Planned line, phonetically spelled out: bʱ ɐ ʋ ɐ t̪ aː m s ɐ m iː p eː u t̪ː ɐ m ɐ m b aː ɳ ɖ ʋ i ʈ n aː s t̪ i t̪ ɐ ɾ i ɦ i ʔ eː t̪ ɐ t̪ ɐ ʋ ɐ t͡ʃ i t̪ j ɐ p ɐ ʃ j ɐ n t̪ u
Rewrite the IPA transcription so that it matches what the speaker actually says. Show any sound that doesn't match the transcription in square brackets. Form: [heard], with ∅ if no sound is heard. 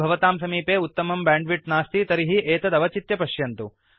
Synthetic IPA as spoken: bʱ ɐ ʋ ɐ t̪ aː m s ɐ m iː p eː u t̪ː ɐ m ɐ m b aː ɳ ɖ ʋ i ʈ n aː s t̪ i t̪ ɐ ɾ i ɦ i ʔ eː t̪ ɐ [d̪] ɐ ʋ ɐ t͡ʃ i t̪ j ɐ p ɐ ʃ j ɐ n t̪ u